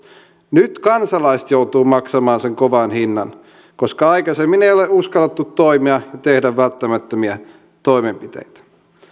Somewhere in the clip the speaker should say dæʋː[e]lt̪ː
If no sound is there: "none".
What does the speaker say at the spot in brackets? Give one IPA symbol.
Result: æ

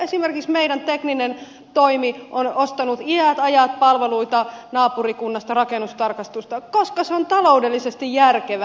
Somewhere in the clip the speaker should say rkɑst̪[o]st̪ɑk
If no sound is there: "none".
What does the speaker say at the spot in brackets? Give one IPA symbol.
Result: u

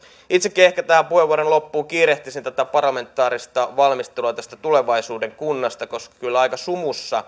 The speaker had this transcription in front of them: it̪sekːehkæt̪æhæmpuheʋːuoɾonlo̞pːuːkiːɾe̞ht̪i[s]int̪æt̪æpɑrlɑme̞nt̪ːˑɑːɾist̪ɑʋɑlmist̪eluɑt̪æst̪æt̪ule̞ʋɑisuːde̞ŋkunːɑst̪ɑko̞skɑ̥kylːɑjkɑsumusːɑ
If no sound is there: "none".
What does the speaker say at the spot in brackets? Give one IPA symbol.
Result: s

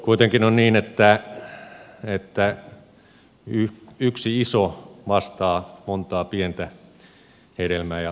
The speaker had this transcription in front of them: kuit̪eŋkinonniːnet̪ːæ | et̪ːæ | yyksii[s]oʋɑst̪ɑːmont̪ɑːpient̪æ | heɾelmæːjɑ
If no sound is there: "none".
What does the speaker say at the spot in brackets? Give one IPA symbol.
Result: s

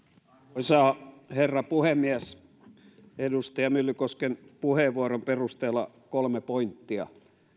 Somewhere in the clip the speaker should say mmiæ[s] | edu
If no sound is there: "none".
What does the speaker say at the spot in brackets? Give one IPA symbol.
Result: s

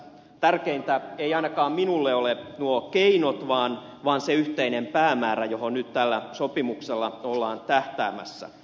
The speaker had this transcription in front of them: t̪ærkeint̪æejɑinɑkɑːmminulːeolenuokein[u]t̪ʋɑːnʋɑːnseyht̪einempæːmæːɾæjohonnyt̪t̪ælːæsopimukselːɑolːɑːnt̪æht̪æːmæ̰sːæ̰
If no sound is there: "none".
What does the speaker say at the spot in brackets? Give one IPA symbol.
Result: o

